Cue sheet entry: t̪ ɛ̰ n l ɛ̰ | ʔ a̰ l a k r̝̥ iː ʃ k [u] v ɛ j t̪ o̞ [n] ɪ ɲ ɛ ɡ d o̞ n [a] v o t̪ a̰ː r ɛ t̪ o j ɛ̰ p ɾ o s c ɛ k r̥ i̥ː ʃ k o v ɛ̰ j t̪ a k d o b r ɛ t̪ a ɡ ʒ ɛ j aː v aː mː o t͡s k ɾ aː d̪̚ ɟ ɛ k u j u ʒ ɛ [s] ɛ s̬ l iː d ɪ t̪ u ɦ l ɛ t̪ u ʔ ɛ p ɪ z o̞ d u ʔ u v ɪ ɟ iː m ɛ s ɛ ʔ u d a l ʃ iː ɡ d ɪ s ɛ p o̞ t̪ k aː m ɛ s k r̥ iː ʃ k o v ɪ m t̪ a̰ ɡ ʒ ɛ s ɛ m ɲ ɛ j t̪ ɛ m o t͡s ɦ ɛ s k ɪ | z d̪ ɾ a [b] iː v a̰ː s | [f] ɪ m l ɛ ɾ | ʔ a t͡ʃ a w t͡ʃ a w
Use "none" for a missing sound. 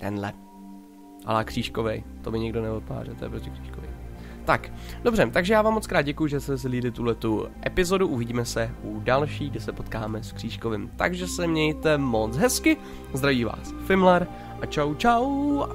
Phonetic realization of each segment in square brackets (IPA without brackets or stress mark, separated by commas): o, m, ɛ, s, v, f